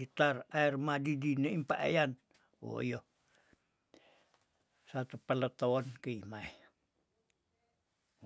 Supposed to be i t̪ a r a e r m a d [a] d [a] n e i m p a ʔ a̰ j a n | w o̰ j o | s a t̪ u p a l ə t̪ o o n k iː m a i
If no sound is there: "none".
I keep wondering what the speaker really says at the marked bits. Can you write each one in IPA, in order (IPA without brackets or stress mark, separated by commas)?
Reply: i, i